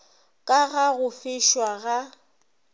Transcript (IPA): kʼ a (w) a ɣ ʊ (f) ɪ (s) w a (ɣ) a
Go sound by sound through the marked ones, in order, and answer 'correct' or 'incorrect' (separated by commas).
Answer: incorrect, correct, incorrect, correct